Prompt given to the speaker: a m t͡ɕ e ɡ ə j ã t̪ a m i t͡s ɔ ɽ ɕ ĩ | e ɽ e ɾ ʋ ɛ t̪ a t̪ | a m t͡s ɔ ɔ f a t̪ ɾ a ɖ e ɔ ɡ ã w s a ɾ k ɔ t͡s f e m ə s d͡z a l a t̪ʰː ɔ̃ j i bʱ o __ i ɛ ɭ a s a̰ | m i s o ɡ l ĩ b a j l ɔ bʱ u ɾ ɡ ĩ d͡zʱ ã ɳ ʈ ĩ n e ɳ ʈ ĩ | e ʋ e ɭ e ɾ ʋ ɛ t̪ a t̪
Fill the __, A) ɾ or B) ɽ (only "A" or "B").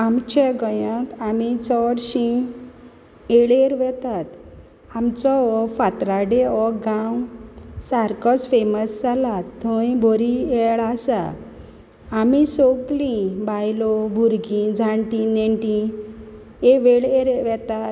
A